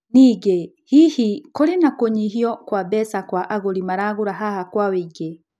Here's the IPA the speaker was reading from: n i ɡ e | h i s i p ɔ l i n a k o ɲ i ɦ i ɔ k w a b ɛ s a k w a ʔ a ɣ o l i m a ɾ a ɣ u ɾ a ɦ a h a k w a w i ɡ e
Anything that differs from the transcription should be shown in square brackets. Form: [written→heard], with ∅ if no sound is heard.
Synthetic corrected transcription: n i ɡ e | h i [s→h] i [p→k] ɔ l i n a k o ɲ i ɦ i ɔ k w a b ɛ s a k w a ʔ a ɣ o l i m a ɾ a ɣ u ɾ a ɦ a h a k w a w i ɡ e